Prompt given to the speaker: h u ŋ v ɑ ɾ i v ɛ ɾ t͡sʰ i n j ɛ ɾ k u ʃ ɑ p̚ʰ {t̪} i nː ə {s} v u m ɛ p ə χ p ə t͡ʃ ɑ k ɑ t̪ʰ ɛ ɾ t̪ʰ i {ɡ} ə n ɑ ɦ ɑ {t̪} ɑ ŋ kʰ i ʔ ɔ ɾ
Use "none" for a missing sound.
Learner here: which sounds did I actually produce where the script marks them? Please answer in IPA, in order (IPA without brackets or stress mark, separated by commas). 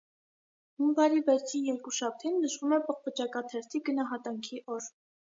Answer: t̪ʰ, ʃ, ɡ, t̪